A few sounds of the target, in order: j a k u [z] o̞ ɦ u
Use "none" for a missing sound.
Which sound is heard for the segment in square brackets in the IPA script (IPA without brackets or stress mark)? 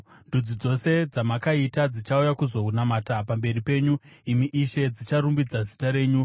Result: z